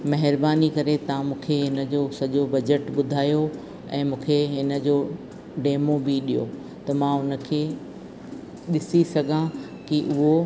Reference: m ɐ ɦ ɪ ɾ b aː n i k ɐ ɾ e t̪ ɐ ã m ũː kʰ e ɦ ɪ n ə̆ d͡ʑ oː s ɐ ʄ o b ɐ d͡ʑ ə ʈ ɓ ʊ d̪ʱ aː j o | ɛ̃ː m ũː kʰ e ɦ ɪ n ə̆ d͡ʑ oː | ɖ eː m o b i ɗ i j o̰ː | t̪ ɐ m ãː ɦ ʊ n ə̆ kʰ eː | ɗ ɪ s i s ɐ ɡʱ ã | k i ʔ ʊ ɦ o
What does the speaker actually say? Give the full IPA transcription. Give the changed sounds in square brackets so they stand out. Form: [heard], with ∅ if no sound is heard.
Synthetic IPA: m ɐ ɦ ɪ ɾ b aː n i k ɐ ɾ e t̪ ɐ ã m ũː kʰ e ɦ ɪ n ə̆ d͡ʑ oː s ɐ ʄ o b ɐ d͡ʑ ə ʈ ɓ ʊ d̪ʱ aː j o | ɛ̃ː m ũː kʰ e ɦ ɪ n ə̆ d͡ʑ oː | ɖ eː m o b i ɗ i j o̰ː | t̪ ɐ m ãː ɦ ʊ n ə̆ kʰ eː | ɗ ɪ s i s ɐ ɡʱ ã | k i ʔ ʊ ɦ o